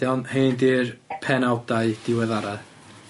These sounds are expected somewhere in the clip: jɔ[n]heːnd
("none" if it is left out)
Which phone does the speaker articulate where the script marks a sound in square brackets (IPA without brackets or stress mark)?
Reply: n